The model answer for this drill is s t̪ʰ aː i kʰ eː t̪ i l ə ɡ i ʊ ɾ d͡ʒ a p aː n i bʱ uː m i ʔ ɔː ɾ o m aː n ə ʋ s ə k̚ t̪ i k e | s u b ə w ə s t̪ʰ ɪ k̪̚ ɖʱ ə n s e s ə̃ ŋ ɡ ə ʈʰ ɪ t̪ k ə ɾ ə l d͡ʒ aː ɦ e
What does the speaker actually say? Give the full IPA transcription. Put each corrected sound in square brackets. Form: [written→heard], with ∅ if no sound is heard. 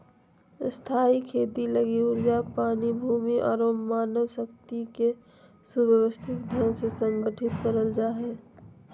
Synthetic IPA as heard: s t̪ʰ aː i kʰ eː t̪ i l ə ɡ i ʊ ɾ d͡ʒ a p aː n i bʱ uː m i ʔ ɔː ɾ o m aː n ə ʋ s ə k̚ t̪ i k e | s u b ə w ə s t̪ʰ ɪ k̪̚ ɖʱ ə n s e s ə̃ ŋ ɡ ə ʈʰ ɪ t̪ k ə ɾ ə l d͡ʒ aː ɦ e